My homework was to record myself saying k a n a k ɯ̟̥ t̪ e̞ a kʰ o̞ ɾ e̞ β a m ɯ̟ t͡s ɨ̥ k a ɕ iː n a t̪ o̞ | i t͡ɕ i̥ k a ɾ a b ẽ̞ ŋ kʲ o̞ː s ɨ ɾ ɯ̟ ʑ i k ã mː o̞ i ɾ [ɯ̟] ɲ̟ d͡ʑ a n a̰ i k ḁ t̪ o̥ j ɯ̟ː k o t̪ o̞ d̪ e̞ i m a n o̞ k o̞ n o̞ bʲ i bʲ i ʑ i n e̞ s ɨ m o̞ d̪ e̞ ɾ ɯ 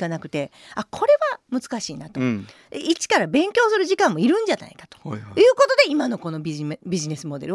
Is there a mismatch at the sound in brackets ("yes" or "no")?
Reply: yes